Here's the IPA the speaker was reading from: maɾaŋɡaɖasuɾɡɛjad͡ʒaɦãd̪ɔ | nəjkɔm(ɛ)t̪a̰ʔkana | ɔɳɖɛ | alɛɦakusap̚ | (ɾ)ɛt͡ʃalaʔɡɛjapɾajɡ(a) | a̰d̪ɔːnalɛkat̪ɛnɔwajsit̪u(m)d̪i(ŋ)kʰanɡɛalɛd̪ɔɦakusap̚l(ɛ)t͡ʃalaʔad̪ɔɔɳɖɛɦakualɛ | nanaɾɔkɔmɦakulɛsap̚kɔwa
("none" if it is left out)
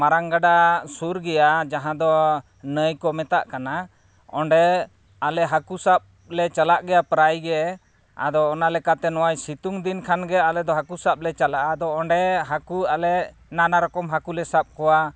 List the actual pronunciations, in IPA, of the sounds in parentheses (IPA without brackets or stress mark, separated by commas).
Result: ɛ, l, ɛ, ŋ, n, ɛ